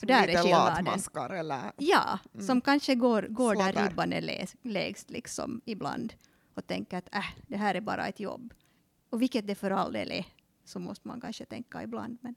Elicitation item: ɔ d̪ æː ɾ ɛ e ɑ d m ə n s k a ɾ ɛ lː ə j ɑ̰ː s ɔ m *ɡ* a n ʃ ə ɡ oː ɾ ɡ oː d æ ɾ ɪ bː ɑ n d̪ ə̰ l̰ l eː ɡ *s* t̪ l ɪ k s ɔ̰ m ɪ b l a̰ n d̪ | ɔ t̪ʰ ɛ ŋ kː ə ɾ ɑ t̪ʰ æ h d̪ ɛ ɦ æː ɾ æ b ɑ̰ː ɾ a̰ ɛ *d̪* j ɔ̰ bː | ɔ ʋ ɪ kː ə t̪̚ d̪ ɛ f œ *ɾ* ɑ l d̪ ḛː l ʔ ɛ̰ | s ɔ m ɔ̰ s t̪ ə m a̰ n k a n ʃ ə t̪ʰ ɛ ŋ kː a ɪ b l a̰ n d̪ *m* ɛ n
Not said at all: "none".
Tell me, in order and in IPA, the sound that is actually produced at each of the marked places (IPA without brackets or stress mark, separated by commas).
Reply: k, s, t̪, ɾ, m